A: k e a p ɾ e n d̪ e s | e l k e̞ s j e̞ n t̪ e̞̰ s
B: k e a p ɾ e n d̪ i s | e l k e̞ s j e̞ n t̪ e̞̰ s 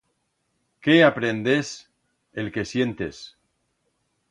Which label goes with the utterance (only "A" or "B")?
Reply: A